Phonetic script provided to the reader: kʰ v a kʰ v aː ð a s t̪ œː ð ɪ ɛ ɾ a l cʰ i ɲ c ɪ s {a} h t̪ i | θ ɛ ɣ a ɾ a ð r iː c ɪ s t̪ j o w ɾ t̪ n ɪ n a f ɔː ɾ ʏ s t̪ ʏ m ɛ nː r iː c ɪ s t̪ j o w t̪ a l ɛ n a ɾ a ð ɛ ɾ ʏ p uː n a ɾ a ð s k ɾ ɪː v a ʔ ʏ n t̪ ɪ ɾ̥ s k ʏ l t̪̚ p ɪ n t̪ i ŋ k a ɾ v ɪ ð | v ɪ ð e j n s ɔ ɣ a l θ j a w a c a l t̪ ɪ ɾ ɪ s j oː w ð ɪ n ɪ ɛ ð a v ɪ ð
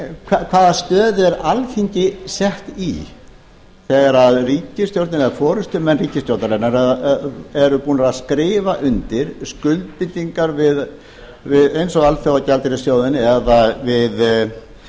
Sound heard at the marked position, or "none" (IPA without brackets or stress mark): ɛ